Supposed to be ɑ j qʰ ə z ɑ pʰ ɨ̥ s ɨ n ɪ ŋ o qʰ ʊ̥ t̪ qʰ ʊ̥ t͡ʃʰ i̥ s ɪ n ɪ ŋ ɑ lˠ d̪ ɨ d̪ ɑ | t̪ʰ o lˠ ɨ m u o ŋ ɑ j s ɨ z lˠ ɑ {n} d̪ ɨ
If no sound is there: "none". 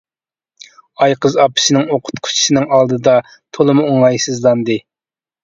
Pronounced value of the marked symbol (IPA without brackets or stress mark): n